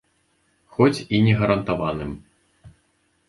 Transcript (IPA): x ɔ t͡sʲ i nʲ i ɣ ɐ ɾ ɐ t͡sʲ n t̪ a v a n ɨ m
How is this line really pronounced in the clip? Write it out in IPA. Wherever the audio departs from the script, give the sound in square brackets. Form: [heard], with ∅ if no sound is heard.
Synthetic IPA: x ɔ t͡sʲ i nʲ [ɛ] ɣ ɐ ɾ ɐ [∅] n t̪ a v a n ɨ m